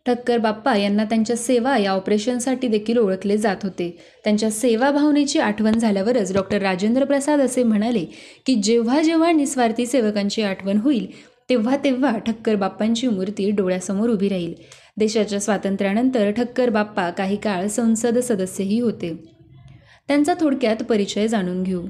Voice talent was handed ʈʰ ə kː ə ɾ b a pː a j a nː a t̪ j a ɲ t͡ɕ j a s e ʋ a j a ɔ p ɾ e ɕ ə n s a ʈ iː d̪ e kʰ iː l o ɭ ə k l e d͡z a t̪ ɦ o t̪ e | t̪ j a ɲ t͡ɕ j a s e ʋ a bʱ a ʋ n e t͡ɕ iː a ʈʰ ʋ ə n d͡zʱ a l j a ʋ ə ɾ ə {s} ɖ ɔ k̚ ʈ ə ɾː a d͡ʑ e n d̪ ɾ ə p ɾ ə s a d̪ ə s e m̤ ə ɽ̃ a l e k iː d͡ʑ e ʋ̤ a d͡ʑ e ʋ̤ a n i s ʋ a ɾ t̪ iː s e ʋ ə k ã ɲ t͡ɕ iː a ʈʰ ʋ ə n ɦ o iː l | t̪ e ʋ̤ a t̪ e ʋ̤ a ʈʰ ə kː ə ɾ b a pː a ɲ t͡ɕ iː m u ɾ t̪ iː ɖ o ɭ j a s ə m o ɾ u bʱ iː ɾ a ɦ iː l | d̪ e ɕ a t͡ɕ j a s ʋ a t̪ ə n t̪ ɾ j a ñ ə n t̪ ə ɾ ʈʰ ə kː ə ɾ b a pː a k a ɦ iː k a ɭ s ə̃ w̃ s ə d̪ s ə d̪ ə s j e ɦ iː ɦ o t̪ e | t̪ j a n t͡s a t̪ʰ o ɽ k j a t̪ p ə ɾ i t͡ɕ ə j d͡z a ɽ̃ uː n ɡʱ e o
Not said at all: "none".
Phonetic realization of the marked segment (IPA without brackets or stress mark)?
t͡s